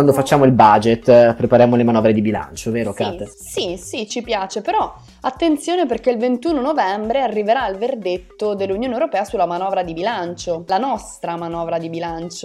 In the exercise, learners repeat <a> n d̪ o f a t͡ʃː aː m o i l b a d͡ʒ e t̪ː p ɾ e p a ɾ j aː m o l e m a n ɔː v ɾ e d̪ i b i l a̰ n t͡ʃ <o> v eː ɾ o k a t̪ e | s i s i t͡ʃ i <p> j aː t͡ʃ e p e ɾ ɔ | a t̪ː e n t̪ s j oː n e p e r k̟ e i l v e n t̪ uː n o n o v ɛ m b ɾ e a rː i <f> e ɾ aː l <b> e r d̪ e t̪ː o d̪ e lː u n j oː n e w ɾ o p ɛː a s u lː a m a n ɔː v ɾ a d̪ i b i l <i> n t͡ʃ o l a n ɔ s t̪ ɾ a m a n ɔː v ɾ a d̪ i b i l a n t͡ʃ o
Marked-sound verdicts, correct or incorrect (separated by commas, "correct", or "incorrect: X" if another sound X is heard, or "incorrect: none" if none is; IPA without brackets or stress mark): correct, correct, correct, incorrect: v, incorrect: v, incorrect: a